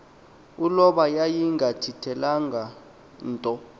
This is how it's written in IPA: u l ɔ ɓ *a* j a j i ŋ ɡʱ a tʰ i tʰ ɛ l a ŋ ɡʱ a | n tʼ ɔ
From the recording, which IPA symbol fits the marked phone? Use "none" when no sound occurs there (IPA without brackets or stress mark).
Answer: a